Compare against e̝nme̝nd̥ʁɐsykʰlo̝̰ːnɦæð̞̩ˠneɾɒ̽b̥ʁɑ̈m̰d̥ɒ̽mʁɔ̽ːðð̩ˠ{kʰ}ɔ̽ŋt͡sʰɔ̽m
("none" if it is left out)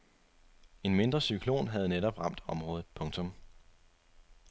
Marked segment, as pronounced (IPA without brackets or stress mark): pʰ